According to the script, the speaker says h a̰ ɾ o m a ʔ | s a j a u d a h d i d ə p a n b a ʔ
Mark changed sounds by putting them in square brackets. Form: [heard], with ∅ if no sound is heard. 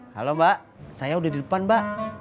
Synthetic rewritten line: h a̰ [l] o m a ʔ | s a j a u d a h d i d ə p a n b a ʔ